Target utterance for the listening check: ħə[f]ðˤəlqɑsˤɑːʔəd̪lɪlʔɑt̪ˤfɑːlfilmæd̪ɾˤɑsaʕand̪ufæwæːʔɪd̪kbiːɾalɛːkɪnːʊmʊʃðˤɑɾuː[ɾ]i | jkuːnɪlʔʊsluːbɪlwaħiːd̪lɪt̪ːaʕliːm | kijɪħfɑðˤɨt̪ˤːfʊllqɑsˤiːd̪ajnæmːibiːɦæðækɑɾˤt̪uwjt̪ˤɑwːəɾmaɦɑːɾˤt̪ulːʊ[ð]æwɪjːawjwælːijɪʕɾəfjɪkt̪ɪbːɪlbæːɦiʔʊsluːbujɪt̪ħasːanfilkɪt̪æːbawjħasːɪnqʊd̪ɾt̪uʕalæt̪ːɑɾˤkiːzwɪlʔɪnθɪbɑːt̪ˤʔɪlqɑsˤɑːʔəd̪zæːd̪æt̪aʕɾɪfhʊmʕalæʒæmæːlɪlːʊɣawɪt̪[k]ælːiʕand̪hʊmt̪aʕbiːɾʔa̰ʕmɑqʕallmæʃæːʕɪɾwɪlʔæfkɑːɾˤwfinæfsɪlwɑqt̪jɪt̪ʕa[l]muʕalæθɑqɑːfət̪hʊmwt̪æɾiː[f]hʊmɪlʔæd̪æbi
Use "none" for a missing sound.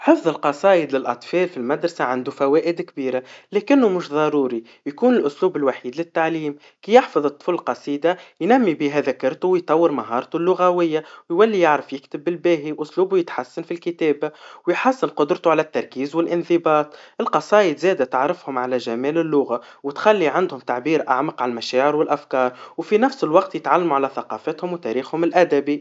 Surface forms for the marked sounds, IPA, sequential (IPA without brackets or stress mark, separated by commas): f, ɾ, ɣ, x, lː, x